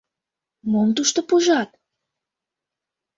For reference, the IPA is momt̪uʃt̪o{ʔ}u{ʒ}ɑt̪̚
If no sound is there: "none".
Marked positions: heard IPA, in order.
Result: p, ʒ

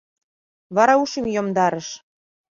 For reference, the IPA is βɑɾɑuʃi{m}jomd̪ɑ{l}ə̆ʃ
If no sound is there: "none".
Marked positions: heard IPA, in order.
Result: m, ɾ

